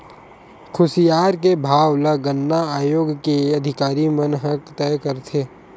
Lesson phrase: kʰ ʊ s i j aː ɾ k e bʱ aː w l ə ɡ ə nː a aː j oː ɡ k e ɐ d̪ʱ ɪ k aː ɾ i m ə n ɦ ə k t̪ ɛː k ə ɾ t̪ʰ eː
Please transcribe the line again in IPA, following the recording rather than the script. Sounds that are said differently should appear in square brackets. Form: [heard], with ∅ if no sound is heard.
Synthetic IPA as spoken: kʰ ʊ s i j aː ɾ k e bʱ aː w l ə ɡ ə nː a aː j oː ɡ k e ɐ d̪ʱ ɪ k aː ɾ i m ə n ɦ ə k t̪ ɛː k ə ɾ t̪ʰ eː